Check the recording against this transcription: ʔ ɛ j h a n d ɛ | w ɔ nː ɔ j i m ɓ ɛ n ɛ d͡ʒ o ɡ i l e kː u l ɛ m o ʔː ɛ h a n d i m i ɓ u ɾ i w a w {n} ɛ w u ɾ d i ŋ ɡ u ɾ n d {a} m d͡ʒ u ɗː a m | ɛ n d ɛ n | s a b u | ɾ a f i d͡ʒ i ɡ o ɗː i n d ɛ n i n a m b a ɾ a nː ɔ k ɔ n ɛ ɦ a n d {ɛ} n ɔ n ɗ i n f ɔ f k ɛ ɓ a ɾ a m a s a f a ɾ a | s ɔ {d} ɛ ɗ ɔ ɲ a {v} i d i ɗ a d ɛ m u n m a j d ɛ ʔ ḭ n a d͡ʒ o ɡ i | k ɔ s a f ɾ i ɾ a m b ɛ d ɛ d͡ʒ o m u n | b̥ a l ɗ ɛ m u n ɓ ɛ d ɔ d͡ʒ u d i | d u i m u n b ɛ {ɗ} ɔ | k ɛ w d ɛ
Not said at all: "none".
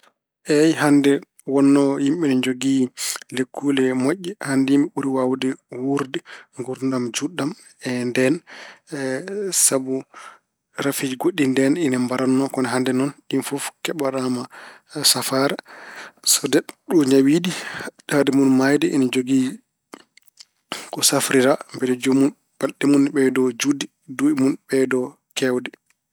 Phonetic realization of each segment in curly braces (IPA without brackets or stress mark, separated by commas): d, a, ɛ, d, w, d